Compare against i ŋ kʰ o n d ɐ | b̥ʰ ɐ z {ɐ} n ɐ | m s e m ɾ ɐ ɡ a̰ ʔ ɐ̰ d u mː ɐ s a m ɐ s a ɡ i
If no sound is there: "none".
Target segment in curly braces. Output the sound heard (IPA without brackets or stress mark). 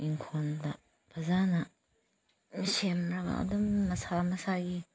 a